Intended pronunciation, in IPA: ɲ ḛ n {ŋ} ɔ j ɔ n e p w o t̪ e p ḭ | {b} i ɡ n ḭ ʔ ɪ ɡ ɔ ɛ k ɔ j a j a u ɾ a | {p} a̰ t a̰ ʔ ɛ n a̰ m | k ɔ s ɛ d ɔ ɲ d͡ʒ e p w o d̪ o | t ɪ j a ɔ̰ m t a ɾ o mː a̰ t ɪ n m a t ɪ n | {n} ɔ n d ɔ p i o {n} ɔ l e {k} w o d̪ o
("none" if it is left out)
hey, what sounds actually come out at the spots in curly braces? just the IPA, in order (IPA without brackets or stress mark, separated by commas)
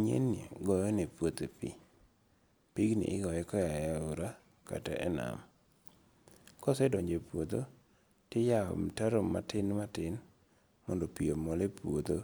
ɡ, p, k, m, m, p